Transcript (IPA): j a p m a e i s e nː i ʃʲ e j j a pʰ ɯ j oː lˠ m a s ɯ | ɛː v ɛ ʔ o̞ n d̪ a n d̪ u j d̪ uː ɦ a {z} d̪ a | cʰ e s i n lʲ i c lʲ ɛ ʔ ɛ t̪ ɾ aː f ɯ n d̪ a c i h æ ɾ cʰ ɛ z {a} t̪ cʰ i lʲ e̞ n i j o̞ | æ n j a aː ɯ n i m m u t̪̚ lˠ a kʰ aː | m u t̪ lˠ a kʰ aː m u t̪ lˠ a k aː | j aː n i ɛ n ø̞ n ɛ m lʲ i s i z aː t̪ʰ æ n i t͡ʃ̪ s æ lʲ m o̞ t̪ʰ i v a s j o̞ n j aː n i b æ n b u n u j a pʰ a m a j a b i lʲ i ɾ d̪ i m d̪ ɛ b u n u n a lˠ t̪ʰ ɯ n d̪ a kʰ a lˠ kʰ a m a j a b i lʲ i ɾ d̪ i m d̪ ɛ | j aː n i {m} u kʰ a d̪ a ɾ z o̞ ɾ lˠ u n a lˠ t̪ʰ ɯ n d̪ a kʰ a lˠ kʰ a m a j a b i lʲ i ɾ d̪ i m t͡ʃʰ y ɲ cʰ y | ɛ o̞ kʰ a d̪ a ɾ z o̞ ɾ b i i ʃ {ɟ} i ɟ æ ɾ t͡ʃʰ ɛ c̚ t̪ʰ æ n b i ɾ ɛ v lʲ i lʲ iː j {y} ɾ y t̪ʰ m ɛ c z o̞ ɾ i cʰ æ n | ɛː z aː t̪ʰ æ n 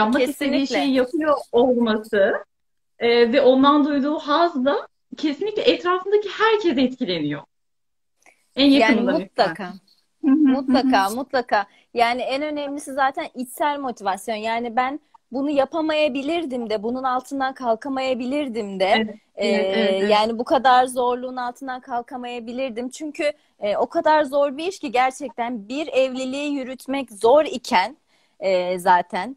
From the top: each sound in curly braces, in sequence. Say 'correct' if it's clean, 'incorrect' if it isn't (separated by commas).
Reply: correct, incorrect, incorrect, incorrect, correct